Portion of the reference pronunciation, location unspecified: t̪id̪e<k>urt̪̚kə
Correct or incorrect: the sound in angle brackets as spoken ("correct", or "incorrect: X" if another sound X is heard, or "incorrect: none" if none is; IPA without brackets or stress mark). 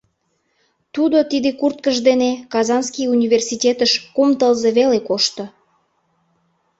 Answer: correct